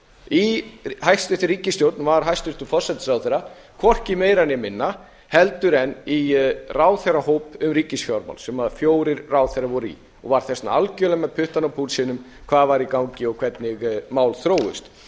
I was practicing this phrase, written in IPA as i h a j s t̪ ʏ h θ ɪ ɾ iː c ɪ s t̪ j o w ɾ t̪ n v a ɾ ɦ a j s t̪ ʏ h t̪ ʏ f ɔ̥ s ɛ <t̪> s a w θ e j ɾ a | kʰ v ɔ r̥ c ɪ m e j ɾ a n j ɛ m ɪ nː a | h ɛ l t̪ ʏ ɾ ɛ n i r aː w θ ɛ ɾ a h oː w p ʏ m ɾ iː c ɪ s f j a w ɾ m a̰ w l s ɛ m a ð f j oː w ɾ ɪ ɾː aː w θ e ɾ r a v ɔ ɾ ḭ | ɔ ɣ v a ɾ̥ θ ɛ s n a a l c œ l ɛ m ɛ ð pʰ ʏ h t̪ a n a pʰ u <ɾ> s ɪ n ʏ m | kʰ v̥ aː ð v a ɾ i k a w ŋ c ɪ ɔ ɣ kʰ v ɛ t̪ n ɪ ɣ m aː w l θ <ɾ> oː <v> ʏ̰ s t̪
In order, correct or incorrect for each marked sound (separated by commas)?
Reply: correct, incorrect, correct, incorrect